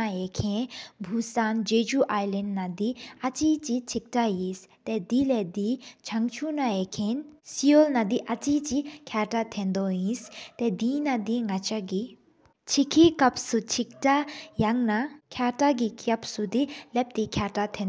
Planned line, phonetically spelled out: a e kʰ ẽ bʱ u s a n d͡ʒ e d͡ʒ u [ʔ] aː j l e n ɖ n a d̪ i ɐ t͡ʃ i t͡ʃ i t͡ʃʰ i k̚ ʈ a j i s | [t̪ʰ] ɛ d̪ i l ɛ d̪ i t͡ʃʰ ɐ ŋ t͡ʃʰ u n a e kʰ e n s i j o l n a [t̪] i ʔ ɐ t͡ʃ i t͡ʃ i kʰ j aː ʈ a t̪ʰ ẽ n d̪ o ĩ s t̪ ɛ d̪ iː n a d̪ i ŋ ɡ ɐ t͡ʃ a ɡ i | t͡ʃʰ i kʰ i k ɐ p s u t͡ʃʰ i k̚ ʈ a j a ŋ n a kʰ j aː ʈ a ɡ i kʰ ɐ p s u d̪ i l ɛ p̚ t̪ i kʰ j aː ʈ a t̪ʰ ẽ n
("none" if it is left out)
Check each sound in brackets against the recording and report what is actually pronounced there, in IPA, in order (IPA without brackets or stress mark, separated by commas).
ʔ, t̪, d̪